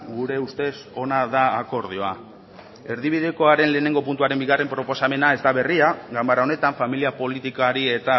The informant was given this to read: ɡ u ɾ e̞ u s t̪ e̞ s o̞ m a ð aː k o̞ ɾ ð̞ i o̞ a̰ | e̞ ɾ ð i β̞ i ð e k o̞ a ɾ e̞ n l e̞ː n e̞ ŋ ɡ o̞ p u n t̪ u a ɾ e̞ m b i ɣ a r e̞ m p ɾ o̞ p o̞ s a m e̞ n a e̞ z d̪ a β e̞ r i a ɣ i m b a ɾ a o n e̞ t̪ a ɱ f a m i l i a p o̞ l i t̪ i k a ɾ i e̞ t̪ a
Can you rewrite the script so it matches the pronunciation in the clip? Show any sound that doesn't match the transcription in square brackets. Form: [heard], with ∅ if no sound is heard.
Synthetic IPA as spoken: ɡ u ɾ e̞ u s t̪ e̞ s o̞ [n] a ð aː k o̞ ɾ ð̞ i o̞ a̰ | e̞ ɾ ð i β̞ i ð e k o̞ a ɾ e̞ n l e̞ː n e̞ ŋ ɡ o̞ p u n t̪ u a ɾ e̞ m b i ɣ a r e̞ m p ɾ o̞ p o̞ s a m e̞ n a e̞ z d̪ a β e̞ r i a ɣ [a] m b a ɾ a o n e̞ t̪ a ɱ f a m i l i a p o̞ l i t̪ i k a ɾ i e̞ t̪ a

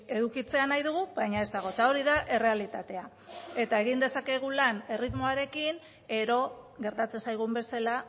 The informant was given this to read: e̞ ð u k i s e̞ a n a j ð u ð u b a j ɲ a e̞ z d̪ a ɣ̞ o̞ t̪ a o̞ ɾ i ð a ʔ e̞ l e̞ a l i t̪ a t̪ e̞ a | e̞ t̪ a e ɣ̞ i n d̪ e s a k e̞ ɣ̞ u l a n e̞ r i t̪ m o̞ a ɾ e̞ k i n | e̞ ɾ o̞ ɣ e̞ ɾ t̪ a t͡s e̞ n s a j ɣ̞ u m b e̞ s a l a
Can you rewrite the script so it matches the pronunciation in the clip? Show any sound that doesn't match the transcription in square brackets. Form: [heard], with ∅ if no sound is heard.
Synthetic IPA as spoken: e̞ ð u k i [t͡s] e̞ a n a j ð u [ɣ] u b a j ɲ a e̞ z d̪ a ɣ̞ o̞ t̪ a o̞ ɾ i ð a ʔ e̞ [r] e̞ a l i t̪ a t̪ e̞ a | e̞ t̪ a e ɣ̞ i n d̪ e s a k e̞ ɣ̞ u l a n e̞ r i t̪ m o̞ a ɾ e̞ k i n | e̞ ɾ o̞ ɣ e̞ ɾ t̪ a t͡s e̞ n s a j ɣ̞ u m b e̞ s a l a

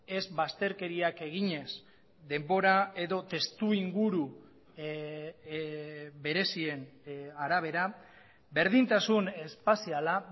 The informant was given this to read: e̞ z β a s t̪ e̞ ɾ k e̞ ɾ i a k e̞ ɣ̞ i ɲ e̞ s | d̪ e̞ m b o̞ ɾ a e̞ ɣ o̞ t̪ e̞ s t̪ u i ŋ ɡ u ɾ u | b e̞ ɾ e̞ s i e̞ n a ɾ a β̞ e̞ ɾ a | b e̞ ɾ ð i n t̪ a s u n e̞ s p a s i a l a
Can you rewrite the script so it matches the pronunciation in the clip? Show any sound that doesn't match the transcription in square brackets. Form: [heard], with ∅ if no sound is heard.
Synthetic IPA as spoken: e̞ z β a s t̪ e̞ ɾ k e̞ ɾ i a k e̞ ɣ̞ i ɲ e̞ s | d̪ e̞ m b o̞ ɾ a e̞ [ð] o̞ t̪ e̞ s t̪ u i ŋ ɡ u ɾ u | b e̞ ɾ e̞ s i e̞ n a ɾ a β̞ e̞ ɾ a | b e̞ ɾ ð i n t̪ a s u n e̞ s p a s i a l a

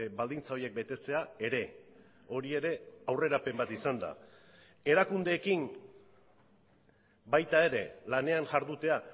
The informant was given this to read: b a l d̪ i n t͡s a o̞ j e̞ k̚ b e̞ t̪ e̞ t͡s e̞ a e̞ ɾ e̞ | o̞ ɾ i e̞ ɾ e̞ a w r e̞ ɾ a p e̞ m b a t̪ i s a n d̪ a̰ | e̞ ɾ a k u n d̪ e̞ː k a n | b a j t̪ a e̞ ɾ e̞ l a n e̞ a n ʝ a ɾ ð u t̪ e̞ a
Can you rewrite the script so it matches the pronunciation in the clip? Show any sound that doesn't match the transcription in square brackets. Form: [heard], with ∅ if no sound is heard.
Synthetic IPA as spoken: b a l d̪ i n t͡s a o̞ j e̞ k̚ b e̞ t̪ e̞ t͡s e̞ a e̞ ɾ e̞ | o̞ ɾ i e̞ ɾ e̞ a w r e̞ ɾ a p e̞ m b a t̪ i s a n d̪ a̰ | e̞ ɾ a k u n d̪ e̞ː k [i] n | b a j t̪ a e̞ ɾ e̞ l a n e̞ a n ʝ a ɾ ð u t̪ e̞ a

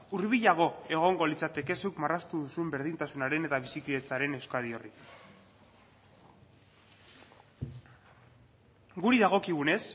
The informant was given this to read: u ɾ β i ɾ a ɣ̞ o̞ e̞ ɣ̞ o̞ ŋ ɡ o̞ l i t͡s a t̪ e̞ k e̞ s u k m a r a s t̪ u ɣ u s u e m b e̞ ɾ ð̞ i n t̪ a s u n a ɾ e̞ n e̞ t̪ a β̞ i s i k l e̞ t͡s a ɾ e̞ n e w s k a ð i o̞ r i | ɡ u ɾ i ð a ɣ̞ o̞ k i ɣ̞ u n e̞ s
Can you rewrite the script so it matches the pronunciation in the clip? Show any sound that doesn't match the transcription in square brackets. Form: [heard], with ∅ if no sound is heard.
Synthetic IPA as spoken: u ɾ β i [ʎ] a ɣ̞ o̞ e̞ ɣ̞ o̞ ŋ ɡ o̞ l i t͡s a t̪ e̞ k e̞ s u k m a r a s t̪ u [ð] u s u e m b e̞ ɾ ð̞ i n t̪ a s u n a ɾ e̞ n e̞ t̪ a β̞ i s i k l e̞ t͡s a ɾ e̞ n e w s k a ð i o̞ r i | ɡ u ɾ i ð a ɣ̞ o̞ k i ɣ̞ u n e̞ s

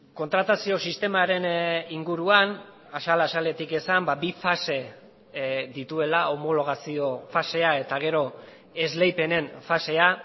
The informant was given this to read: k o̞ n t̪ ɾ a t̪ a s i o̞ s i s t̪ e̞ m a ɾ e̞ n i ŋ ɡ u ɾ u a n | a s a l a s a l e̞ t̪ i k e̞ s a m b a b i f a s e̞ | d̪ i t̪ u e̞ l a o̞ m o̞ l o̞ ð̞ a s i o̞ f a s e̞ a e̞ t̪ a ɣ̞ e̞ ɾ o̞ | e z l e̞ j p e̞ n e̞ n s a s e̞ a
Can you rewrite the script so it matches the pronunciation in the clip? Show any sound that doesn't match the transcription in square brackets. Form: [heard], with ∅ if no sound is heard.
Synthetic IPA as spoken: k o̞ n t̪ ɾ a t̪ a s i o̞ s i s t̪ e̞ m a ɾ e̞ n i ŋ ɡ u ɾ u a n | a s a l a s a l e̞ t̪ i k e̞ s a m b a b i f a s e̞ | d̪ i t̪ u e̞ l a o̞ m o̞ l o̞ [ɣ̞] a s i o̞ f a s e̞ a e̞ t̪ a ɣ̞ e̞ ɾ o̞ | e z l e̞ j p e̞ n e̞ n [f] a s e̞ a

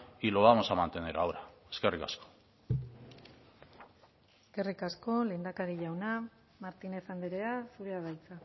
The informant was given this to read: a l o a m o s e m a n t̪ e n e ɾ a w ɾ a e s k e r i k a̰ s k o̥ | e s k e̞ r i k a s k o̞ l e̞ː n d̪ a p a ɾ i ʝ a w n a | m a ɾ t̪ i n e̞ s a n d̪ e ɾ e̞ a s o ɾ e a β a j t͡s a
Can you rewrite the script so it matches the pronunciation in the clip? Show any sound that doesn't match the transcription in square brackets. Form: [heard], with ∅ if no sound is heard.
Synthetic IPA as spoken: [i] l o a m o s [a] m a n t̪ e n e ɾ a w ɾ a e s k e r i k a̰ s k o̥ | e s k e̞ r i k a s k o̞ l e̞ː n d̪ a [k] a ɾ i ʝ a w n a | m a ɾ t̪ i n e̞ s a n d̪ e ɾ e̞ a s [u] ɾ e a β a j t͡s a

